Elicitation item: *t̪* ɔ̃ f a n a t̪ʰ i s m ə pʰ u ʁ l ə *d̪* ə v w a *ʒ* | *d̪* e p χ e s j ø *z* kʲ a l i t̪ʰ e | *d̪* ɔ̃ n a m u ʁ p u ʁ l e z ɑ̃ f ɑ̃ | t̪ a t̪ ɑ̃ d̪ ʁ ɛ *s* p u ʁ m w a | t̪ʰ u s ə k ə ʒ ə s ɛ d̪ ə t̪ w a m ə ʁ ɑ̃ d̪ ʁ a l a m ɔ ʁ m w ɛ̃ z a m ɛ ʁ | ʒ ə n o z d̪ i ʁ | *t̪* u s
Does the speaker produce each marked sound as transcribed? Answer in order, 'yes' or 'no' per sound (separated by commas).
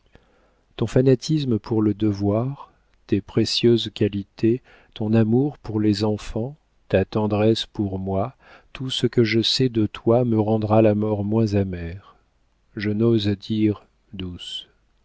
yes, yes, no, no, yes, no, yes, no